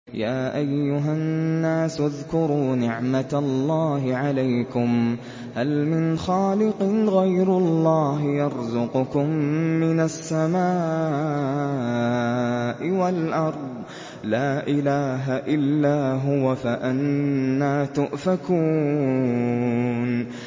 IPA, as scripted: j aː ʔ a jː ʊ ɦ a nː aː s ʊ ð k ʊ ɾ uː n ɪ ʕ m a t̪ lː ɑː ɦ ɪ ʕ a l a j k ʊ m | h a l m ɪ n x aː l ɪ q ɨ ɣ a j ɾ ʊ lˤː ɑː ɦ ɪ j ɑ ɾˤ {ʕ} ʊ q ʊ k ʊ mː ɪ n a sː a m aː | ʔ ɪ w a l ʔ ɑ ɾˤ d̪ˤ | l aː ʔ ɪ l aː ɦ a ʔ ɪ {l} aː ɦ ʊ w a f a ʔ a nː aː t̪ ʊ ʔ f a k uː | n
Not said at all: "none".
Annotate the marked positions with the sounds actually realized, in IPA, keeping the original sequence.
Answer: z, lː

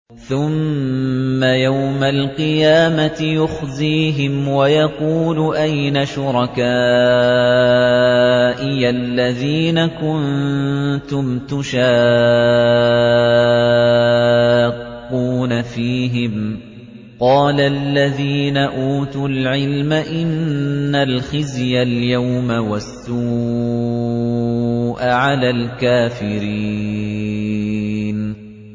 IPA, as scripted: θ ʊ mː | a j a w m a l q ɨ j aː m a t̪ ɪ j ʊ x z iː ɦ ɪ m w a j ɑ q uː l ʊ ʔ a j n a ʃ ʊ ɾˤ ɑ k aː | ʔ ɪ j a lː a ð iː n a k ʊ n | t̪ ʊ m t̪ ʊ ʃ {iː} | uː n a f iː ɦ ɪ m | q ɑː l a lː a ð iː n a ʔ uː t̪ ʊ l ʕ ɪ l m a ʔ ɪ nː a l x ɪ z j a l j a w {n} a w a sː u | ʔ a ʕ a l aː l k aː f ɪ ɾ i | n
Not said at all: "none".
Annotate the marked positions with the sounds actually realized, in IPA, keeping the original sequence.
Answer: aː, m

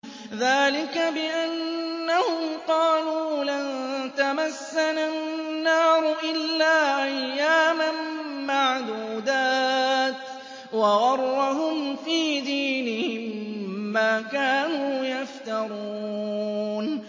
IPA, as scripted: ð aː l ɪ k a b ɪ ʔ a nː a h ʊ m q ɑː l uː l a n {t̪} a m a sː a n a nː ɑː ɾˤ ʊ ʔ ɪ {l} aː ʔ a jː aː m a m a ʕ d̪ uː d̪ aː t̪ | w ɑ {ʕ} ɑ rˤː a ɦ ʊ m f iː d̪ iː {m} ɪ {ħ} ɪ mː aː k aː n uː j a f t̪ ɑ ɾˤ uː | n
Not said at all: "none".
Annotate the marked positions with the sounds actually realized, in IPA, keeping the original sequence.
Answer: t̪, lː, ɣ, n, h

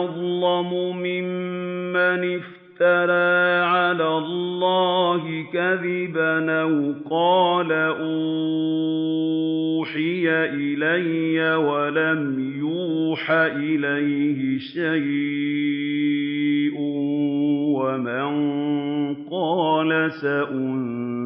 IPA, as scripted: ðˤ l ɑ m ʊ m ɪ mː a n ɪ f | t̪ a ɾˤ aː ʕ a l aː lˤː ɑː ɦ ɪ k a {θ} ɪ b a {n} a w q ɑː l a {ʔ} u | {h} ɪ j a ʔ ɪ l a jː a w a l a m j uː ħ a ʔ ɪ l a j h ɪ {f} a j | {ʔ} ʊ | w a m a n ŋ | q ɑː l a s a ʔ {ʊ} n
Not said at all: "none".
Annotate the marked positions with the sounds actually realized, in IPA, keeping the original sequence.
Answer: ð, n, ʔ, ħ, ʃ, ʔ, ʊ

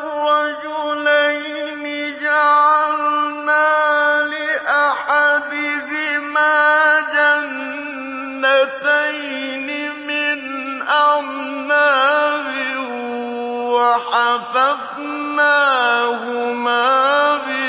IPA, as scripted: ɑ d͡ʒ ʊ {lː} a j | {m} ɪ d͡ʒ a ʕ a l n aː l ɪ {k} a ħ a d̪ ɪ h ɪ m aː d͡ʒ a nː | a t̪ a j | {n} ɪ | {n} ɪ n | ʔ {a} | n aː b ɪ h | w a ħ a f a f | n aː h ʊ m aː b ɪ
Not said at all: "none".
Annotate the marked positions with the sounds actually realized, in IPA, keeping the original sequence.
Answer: l, n, ʔ, n, m, a

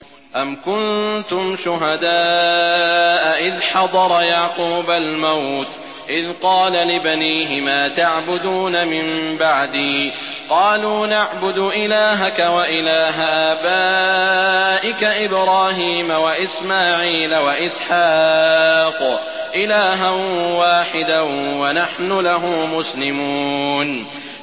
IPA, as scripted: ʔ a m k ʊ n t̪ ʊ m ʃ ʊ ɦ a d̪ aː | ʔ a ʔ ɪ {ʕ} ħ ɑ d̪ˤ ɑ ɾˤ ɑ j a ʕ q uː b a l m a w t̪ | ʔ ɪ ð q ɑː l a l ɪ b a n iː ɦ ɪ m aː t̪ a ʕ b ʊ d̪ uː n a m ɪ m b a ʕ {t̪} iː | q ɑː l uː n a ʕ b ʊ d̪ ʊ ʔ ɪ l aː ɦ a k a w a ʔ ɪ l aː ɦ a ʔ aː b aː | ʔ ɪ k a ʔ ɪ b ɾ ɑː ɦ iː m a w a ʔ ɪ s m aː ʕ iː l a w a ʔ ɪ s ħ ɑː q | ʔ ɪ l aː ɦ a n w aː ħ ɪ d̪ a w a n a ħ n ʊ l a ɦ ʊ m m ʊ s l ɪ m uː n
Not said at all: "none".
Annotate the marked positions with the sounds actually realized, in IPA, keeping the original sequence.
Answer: ð, d̪

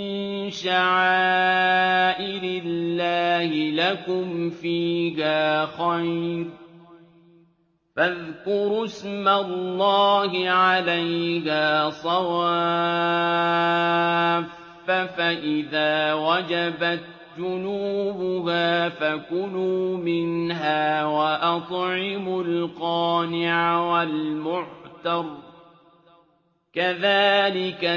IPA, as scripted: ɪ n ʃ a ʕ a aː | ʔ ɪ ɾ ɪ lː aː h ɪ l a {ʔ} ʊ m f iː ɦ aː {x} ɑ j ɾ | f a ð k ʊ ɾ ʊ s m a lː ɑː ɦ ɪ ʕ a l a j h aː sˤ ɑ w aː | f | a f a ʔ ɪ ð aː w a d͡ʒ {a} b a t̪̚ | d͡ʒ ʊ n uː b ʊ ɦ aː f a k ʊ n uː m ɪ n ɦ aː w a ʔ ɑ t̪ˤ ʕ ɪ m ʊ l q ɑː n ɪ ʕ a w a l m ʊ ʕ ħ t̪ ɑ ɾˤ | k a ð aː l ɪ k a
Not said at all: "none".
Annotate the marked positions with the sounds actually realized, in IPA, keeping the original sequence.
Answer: k, x, a

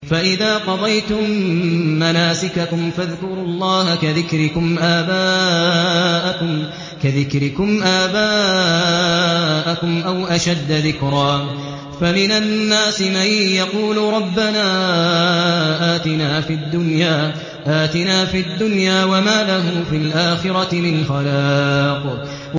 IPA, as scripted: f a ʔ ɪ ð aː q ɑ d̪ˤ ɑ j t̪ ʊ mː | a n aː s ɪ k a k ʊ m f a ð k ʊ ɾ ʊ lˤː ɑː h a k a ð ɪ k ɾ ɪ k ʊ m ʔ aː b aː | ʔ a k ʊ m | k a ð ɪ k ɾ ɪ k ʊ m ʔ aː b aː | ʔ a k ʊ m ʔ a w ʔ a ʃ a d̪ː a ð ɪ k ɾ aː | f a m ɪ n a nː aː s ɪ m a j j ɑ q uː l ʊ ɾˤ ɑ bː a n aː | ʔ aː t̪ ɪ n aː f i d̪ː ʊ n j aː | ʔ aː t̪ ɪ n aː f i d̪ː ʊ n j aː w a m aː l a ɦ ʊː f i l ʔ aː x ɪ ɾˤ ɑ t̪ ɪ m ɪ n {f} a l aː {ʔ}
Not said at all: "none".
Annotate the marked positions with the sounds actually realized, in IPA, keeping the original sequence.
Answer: x, q

